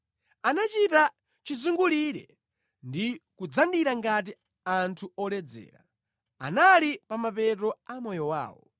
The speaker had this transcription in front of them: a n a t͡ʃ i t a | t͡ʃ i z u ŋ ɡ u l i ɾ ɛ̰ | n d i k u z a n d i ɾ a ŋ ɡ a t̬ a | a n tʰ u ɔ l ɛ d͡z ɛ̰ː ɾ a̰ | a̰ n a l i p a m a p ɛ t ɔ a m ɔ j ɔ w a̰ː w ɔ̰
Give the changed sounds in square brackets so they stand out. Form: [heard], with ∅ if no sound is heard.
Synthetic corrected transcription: a n a t͡ʃ i t a | t͡ʃ i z u ŋ ɡ u l i ɾ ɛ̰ | n d i k u [d͡z] a n d i ɾ a ŋ ɡ a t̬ [i] | a n tʰ u ɔ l ɛ d͡z ɛ̰ː ɾ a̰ | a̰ n a l i p a m a p ɛ t ɔ a m ɔ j ɔ w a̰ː w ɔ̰